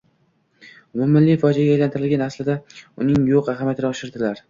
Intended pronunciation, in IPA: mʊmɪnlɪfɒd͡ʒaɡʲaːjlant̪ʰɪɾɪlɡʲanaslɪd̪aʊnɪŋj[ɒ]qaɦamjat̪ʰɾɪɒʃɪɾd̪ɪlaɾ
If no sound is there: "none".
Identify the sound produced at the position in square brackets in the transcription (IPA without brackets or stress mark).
o